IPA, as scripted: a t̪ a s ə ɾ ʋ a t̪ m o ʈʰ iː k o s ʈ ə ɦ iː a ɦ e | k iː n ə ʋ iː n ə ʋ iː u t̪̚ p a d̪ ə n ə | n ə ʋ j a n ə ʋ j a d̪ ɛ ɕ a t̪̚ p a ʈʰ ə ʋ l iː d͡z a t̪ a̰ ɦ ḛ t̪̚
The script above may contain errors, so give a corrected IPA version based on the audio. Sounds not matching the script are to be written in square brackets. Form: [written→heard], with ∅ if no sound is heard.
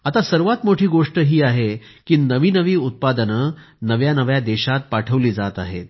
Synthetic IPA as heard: a t̪ a s ə ɾ ʋ a t̪ m o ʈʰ iː [k→ɡ] o [s→ʂ] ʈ ə ɦ iː a ɦ e | k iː n ə ʋ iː n ə ʋ iː u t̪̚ p a d̪ ə n ə | n ə ʋ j a n ə ʋ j a d̪ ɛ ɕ a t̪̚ p a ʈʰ ə ʋ l iː d͡z a t̪ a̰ ɦ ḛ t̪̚